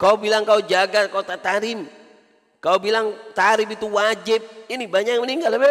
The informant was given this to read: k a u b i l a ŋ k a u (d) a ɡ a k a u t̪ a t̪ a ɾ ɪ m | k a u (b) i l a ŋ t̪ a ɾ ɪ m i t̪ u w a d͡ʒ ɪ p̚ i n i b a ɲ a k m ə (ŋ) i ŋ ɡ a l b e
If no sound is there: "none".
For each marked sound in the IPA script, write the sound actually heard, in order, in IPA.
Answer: d͡ʒ, b, n

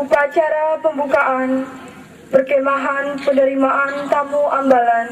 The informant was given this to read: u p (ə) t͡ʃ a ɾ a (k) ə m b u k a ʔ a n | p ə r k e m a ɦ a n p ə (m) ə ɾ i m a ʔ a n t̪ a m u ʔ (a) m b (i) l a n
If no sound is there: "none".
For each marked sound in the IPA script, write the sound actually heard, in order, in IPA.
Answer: a, p, n, a, a

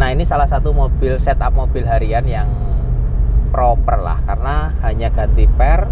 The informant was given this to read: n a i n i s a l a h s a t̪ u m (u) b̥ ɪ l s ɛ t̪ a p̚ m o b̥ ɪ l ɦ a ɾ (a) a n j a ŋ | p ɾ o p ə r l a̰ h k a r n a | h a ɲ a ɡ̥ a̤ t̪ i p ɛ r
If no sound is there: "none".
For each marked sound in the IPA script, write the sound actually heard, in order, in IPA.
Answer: o, i

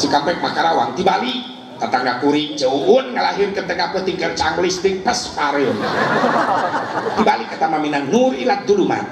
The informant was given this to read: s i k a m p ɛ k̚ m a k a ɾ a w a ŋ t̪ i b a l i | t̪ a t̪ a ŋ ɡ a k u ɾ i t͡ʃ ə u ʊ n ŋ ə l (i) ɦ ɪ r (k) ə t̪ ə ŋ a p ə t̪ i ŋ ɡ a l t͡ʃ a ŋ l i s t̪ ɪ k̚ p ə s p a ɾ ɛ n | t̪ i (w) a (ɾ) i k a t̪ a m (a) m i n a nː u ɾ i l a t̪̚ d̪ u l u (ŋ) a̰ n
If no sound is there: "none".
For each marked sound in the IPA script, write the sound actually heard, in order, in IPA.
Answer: a, k, b, l, a, m

